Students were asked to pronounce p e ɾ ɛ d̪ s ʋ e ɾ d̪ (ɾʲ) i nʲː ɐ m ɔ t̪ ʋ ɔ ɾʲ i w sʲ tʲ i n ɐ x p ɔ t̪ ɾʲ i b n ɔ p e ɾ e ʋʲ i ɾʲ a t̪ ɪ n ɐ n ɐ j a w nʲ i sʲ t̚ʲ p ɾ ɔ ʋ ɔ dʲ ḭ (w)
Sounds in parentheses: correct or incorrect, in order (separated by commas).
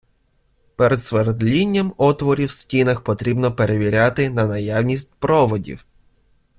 incorrect, correct